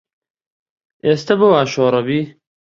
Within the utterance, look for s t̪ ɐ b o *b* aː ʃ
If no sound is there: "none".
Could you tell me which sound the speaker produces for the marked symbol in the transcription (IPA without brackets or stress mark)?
none